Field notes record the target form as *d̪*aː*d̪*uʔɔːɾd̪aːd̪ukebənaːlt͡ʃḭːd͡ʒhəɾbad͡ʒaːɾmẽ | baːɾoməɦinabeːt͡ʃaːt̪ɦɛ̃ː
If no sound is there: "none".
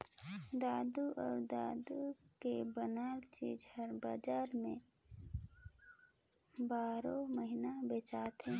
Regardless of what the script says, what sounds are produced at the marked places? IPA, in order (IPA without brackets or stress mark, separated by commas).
d̪, d̪